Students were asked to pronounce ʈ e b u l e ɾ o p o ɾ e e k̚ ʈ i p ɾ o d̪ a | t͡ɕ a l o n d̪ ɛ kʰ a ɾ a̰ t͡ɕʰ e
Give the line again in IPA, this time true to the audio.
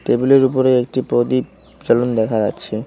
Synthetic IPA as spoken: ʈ e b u l e ɾ u p o ɾ e e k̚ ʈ i p ɾ o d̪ i | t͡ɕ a l o n d̪ ɛ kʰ a ɾ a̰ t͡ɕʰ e